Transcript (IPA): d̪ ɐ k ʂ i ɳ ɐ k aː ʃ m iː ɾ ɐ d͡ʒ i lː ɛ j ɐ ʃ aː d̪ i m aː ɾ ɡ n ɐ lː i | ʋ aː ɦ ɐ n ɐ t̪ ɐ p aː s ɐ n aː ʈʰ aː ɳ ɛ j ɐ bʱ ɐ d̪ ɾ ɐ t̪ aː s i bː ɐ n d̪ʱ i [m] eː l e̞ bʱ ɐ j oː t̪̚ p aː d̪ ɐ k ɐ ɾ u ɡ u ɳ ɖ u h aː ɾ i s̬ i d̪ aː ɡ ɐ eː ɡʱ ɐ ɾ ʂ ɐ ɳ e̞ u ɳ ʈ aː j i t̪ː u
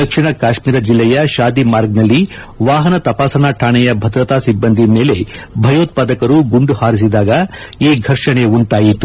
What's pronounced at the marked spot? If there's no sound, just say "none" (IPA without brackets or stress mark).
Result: m